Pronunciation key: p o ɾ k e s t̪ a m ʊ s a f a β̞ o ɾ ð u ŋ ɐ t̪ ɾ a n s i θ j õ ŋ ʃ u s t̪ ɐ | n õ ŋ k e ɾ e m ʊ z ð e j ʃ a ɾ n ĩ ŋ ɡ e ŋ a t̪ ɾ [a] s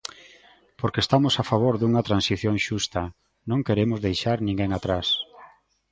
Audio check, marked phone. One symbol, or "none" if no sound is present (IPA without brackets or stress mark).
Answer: a